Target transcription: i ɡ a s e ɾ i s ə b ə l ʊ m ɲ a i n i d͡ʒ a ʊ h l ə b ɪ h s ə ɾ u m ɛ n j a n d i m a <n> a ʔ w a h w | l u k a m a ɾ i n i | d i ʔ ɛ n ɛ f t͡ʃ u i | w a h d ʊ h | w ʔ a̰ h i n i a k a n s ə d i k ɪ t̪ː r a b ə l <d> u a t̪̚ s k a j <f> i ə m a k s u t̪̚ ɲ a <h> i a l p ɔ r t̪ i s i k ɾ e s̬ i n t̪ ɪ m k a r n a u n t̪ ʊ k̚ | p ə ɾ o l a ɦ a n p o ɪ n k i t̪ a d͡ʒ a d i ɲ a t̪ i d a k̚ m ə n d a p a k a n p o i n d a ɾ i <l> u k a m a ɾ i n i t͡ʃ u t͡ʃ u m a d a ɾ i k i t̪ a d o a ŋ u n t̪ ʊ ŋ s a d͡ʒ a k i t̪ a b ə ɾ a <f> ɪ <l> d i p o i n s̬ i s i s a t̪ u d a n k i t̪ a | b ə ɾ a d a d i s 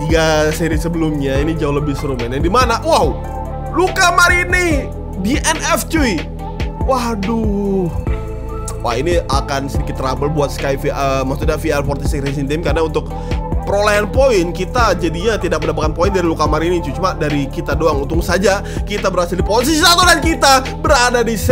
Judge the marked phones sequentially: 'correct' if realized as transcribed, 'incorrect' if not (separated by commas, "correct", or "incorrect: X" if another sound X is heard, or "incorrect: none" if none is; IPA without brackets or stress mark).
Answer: correct, incorrect: b, correct, incorrect: f, correct, incorrect: s, correct